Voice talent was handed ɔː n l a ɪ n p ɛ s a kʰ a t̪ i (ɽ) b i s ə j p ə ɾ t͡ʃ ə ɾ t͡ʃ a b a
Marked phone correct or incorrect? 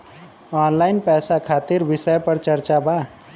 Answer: incorrect